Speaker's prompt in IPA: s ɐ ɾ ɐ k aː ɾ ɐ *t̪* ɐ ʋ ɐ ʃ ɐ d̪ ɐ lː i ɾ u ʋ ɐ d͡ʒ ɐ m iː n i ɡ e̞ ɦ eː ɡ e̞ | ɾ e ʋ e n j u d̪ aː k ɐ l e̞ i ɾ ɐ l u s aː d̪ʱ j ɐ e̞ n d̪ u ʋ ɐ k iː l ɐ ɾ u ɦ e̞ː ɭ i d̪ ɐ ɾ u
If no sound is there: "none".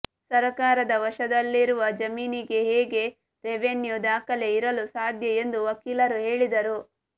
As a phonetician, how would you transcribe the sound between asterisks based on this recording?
d̪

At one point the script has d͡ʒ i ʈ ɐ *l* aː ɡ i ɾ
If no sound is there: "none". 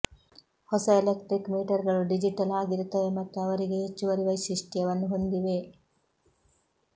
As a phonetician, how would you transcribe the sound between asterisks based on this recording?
l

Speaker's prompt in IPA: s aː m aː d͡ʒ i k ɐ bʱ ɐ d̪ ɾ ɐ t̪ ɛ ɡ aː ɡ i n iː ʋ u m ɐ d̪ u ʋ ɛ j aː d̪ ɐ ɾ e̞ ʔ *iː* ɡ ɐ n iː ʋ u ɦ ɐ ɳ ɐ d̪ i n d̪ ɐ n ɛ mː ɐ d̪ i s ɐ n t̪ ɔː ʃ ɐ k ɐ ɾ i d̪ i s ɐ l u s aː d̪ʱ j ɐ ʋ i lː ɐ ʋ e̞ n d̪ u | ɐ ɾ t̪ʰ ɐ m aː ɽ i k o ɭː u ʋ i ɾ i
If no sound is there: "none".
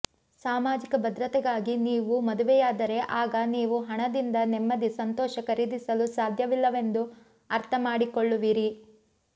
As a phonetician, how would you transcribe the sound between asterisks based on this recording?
aː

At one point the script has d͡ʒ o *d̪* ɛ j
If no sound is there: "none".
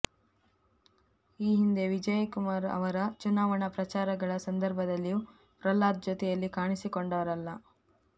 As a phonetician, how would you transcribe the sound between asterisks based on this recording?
t̪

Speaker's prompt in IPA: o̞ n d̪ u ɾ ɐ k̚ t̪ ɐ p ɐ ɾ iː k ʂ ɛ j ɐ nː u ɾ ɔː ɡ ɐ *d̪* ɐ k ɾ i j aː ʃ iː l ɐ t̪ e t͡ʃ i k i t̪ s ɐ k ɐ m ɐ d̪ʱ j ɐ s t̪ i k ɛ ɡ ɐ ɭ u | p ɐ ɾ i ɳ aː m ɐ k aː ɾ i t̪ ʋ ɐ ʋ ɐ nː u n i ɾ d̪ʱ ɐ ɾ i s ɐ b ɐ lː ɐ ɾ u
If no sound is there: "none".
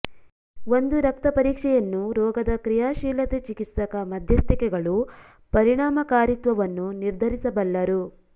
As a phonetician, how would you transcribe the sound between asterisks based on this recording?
d̪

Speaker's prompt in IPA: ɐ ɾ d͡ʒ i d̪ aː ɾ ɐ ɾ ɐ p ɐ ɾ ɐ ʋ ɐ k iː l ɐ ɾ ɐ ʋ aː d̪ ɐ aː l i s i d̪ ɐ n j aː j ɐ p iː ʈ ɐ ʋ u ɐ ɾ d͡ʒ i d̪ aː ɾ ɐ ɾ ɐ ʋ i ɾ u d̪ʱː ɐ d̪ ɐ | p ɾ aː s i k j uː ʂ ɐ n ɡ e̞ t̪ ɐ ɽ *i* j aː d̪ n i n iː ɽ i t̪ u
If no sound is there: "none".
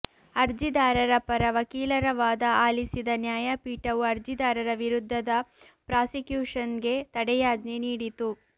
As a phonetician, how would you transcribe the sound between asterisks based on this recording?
ɛ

